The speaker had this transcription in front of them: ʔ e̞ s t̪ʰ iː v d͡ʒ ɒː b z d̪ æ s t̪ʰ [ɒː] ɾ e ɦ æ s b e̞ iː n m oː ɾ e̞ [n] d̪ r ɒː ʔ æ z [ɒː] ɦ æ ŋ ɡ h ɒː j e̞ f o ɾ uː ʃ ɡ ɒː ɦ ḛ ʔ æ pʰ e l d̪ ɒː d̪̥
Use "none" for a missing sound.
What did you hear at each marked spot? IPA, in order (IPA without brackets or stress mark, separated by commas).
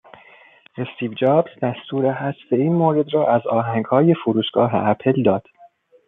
uː, none, ɒː